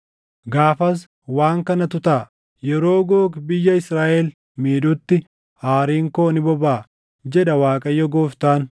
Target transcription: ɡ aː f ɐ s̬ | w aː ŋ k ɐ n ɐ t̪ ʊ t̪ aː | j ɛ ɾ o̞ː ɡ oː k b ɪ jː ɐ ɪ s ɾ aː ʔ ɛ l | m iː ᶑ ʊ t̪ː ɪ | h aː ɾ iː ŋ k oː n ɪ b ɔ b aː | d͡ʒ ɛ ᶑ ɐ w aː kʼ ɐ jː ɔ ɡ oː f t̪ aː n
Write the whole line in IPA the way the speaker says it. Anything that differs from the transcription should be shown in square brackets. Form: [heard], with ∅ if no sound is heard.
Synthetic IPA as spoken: ɡ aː f ɐ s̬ | w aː ŋ k ɐ n ɐ t̪ ʊ t̪ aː | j ɛ ɾ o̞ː ɡ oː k b ɪ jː ɐ ɪ s ɾ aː ʔ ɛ l | m iː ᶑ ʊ t̪ː ɪ | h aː ɾ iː ŋ k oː n ɪ b ɔ b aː | d͡ʒ ɛ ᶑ ɐ w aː kʼ ɐ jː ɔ ɡ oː f t̪ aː n